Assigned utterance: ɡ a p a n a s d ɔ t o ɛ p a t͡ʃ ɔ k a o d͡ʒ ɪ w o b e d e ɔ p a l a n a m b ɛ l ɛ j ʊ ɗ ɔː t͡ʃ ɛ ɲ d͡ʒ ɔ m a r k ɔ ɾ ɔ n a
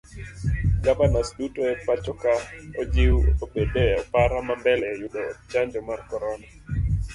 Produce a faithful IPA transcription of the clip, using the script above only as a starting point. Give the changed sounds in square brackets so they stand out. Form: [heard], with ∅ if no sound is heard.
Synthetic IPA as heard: ɡ a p a n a s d [u] t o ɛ p a t͡ʃ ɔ k a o d͡ʒ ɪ w o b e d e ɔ p a [ɾ] a [m] a m b ɛ l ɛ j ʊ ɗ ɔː t͡ʃ [a] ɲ d͡ʒ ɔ m a r k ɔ ɾ ɔ n a

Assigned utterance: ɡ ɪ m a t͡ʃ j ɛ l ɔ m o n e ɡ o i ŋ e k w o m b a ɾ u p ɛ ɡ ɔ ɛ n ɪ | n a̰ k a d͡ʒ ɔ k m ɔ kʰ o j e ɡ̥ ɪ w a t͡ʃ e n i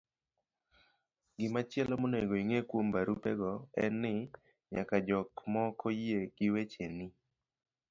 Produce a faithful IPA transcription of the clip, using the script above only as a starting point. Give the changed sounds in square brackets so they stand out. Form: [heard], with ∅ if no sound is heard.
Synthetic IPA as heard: ɡ ɪ m a t͡ʃ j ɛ l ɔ m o n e ɡ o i ŋ e k w o m b a ɾ u p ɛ ɡ ɔ ɛ n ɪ | [ɲ] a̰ k a d͡ʒ ɔ k m ɔ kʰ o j e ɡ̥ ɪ w [e] t͡ʃ e n i

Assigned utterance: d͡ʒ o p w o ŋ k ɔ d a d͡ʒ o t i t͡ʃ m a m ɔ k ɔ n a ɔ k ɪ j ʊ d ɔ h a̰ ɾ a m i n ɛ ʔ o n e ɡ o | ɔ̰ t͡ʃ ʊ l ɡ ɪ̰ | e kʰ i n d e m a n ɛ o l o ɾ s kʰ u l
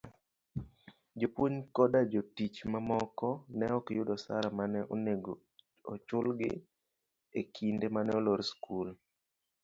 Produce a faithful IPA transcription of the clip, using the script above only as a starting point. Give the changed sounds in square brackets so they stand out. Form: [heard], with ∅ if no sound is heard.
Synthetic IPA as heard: d͡ʒ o p w o [ɲ] k ɔ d a d͡ʒ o t i t͡ʃ m a m ɔ k ɔ n [ɛ] ɔ k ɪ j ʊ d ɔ [s] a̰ ɾ a m [a] n ɛ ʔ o n e ɡ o | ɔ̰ t͡ʃ ʊ l ɡ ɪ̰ | e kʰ i n d e m a n ɛ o l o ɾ s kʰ u l

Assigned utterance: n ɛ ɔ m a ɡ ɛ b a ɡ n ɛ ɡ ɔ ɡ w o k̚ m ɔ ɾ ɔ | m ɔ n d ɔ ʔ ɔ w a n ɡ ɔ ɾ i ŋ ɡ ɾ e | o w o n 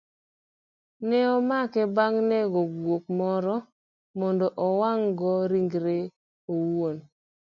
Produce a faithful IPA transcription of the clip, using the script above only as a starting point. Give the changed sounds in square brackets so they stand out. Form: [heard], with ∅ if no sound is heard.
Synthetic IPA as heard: n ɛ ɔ m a [k] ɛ b a [ŋ] n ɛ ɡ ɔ ɡ w o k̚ m ɔ ɾ ɔ | m ɔ n d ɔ ʔ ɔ w a [ŋ] ɡ ɔ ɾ i ŋ ɡ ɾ e | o w o n

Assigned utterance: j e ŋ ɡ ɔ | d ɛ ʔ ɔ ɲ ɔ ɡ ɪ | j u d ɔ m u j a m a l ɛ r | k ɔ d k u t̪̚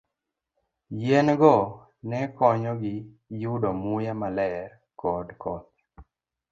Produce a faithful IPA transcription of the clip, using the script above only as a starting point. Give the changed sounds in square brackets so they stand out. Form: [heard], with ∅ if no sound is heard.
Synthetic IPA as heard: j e [n] ɡ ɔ | [n] ɛ [k] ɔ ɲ ɔ ɡ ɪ | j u d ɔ m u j a m a l ɛ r | k ɔ d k [ɔ] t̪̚

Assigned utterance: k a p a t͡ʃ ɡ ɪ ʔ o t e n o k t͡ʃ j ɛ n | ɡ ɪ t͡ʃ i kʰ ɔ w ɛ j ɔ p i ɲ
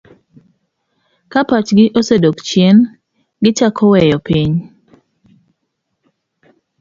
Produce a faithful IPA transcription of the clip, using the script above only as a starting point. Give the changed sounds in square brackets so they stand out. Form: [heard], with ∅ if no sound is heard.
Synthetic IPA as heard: k a p a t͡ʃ ɡ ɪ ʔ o [s] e [d] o k t͡ʃ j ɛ n | ɡ ɪ t͡ʃ [a] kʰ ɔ w ɛ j ɔ p i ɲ

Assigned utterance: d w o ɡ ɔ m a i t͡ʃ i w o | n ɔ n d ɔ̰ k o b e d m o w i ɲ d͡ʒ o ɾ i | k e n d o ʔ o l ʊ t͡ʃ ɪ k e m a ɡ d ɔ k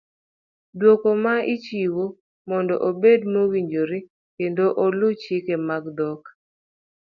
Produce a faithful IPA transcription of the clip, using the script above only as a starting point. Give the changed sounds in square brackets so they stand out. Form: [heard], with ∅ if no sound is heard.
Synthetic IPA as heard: d w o [k] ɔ m a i t͡ʃ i w o | [m] ɔ n d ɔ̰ [ʔ] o b e d m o w i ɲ d͡ʒ o ɾ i | k e n d o ʔ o l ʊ t͡ʃ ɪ k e m a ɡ d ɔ k

